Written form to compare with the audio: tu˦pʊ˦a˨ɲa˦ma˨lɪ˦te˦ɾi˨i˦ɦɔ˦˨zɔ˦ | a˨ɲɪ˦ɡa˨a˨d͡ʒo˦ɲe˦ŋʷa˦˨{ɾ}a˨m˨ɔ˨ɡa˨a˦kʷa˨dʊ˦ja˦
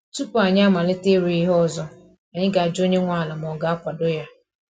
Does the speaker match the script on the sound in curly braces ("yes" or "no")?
no